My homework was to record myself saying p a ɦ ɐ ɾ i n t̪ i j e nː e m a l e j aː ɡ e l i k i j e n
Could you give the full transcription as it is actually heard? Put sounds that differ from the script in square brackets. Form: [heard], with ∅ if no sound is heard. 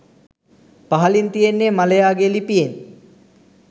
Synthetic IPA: p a ɦ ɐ [l] i n t̪ i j e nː e m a l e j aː ɡ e l i [p] i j e n